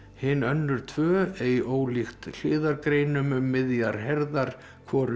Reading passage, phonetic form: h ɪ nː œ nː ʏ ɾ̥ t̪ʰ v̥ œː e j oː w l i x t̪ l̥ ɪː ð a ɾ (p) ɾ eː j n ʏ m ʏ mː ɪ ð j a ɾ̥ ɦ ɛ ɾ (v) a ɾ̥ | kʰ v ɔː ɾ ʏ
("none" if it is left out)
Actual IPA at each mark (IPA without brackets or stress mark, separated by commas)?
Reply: k, ð